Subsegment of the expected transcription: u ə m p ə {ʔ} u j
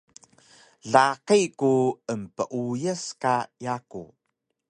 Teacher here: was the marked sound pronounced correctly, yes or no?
yes